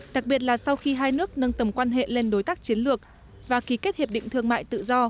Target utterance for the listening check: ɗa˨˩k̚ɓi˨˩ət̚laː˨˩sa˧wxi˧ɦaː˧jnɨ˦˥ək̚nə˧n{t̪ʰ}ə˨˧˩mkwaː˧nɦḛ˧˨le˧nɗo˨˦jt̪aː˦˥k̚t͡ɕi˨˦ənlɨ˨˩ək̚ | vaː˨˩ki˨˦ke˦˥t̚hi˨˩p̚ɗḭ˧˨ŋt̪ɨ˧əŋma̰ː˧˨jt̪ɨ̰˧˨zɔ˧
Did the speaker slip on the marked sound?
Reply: yes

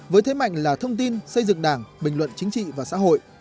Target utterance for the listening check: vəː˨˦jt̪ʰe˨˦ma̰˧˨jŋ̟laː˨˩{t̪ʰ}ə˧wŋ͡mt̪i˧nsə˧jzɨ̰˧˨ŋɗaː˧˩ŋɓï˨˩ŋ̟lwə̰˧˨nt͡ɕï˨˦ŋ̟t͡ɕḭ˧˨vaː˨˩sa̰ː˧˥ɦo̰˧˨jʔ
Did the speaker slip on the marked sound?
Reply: no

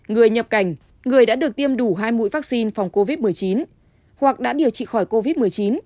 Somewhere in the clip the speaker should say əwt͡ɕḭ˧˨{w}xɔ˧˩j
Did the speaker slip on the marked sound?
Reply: yes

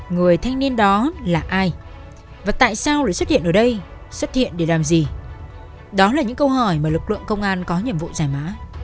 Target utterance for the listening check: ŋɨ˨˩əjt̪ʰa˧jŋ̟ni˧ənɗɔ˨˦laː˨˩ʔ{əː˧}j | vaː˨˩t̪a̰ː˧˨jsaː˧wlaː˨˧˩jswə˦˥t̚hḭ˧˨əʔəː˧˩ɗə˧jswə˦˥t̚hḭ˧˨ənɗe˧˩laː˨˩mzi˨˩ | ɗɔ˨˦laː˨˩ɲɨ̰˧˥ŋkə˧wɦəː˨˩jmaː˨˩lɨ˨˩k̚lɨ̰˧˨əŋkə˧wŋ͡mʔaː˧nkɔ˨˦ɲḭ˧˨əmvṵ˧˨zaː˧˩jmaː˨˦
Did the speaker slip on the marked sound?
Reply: yes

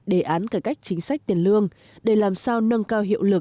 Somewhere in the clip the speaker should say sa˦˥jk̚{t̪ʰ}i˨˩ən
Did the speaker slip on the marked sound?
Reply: yes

